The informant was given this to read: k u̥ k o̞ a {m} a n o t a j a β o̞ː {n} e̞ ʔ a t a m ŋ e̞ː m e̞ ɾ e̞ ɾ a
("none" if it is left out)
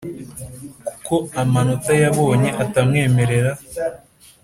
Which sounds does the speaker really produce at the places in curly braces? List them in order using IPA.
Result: m, ɲ

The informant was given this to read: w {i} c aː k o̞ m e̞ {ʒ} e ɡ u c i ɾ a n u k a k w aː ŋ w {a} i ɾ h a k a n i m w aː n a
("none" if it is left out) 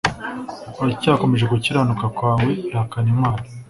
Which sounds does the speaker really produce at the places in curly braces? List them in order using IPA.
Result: a, ʒ, e

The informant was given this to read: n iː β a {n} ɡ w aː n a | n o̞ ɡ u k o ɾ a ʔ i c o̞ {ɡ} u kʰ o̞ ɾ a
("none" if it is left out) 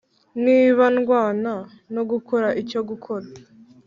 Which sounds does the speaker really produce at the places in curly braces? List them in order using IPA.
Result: n, ɡ

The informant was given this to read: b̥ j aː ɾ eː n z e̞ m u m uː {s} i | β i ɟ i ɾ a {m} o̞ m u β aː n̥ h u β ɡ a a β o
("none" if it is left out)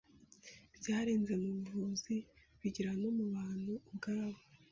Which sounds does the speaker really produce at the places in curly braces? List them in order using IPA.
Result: z, n

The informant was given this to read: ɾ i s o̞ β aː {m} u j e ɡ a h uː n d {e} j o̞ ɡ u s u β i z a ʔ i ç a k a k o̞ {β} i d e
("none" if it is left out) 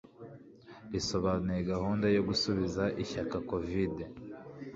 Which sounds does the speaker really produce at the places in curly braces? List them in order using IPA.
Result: n, a, v

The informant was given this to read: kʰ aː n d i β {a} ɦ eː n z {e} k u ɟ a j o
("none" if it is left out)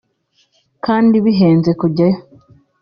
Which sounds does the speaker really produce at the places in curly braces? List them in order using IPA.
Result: i, e

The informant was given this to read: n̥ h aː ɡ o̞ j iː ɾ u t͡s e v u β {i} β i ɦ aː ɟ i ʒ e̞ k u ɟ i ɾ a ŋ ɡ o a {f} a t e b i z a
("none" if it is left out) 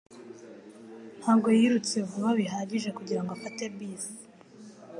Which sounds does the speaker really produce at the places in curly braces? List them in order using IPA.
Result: a, f

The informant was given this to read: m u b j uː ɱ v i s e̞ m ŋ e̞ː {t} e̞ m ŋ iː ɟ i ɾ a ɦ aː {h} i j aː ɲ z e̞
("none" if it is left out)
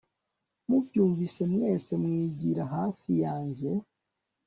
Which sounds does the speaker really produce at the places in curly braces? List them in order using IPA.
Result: s, f

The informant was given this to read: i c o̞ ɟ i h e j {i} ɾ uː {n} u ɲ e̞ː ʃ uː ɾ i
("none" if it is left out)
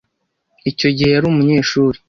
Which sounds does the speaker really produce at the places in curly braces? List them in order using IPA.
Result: a, m

